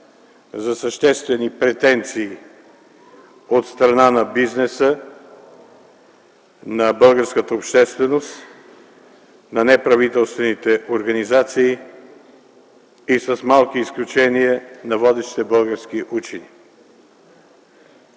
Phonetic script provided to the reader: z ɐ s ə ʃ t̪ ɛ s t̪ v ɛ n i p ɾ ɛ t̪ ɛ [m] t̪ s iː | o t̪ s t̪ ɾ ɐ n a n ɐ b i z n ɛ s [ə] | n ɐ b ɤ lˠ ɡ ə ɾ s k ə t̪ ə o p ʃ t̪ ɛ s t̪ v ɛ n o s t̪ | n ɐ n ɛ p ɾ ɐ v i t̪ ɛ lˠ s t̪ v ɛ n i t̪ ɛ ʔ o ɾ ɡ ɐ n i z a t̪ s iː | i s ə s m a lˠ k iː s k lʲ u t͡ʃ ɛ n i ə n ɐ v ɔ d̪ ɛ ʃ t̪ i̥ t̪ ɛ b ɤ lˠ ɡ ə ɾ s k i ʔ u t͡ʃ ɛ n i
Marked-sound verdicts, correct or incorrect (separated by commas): incorrect, correct